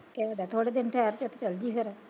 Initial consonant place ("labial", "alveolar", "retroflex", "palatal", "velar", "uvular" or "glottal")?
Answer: velar